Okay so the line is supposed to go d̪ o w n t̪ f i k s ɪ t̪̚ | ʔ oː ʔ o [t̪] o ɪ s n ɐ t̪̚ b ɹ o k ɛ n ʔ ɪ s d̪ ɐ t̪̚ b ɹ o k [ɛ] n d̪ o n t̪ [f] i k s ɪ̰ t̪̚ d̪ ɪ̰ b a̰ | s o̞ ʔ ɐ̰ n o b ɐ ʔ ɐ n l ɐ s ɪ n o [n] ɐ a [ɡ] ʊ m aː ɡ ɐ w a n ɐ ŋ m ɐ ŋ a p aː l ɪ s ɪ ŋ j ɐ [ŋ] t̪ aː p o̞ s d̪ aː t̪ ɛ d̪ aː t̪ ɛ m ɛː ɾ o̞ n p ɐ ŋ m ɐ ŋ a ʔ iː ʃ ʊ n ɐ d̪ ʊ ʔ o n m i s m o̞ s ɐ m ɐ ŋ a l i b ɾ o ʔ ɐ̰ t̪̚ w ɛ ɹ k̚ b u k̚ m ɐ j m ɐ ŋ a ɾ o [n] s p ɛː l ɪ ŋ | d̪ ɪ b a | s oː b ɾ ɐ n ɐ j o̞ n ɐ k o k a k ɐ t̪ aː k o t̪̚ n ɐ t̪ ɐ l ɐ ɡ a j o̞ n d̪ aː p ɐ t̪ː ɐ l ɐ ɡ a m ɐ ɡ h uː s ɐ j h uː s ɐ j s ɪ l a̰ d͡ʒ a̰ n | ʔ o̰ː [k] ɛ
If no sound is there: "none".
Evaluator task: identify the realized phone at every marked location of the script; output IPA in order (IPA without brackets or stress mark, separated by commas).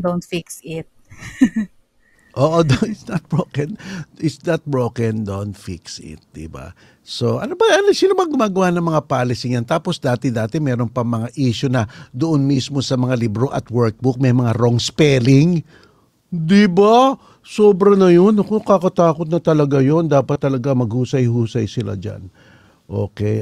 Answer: d̪, ɛ, f, m, ɡ, n, ŋ, k